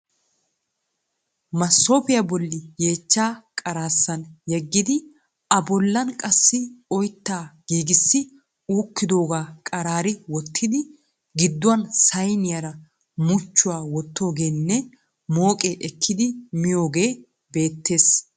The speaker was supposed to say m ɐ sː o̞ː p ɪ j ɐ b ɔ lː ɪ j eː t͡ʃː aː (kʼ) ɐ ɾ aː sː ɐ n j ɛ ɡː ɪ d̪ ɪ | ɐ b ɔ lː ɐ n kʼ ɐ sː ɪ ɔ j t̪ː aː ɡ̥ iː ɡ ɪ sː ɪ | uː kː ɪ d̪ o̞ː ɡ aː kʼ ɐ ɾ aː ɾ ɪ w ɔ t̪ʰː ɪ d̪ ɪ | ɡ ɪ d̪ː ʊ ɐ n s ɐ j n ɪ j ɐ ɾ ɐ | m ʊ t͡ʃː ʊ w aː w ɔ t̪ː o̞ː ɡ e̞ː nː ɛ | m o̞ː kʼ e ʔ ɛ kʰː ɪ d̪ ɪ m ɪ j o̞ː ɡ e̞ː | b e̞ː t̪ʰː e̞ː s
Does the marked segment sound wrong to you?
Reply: no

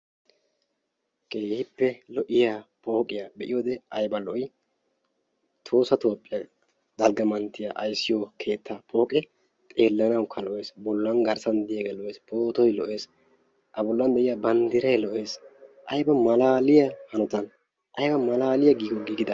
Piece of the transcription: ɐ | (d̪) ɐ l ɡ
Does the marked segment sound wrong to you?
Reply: no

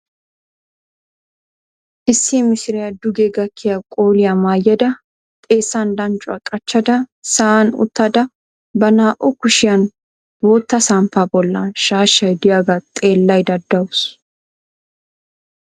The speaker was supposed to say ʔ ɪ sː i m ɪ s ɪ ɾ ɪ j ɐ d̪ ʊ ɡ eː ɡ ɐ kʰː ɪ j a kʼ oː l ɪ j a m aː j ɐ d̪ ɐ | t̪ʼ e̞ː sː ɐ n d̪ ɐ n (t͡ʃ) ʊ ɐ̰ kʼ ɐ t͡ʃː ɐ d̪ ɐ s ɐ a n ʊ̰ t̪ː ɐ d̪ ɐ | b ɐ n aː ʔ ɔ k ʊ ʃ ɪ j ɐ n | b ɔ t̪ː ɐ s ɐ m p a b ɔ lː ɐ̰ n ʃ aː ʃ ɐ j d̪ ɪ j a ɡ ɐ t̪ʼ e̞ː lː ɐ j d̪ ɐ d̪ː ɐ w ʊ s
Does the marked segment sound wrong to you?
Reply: yes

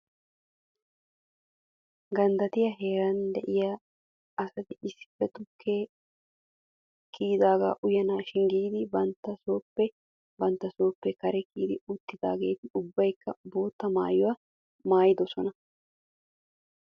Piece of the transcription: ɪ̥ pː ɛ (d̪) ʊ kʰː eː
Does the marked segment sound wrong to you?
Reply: yes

